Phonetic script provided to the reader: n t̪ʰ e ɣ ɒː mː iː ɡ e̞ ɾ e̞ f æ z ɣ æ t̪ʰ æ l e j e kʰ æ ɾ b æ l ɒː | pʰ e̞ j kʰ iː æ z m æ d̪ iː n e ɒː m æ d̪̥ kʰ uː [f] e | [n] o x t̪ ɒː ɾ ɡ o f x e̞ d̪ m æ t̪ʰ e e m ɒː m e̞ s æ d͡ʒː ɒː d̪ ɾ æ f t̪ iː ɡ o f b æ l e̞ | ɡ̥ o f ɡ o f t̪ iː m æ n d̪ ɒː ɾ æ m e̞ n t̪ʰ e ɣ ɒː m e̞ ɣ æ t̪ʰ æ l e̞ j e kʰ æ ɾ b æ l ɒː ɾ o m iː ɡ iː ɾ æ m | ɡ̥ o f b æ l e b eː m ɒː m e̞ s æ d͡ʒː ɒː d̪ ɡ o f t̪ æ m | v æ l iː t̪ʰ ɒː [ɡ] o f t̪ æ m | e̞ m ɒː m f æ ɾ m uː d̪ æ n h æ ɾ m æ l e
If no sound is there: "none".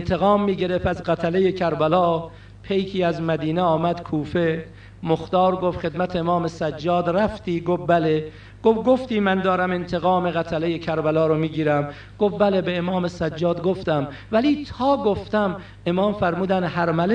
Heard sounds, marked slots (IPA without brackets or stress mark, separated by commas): f, m, ɡ